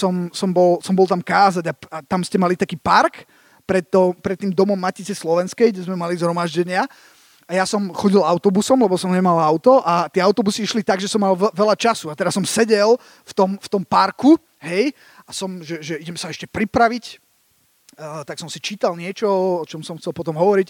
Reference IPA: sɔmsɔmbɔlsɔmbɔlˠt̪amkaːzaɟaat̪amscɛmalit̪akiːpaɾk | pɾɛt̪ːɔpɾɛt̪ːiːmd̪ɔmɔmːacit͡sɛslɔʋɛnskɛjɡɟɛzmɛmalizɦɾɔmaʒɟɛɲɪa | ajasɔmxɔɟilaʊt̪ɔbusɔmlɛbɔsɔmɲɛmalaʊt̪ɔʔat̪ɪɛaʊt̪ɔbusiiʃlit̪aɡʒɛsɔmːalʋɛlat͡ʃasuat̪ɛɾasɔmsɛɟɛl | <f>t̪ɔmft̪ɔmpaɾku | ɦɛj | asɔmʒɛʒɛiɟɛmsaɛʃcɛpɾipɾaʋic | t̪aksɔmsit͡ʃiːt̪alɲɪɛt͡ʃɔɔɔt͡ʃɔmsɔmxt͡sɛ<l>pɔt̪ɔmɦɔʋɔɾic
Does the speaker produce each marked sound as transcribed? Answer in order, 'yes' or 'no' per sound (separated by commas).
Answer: yes, yes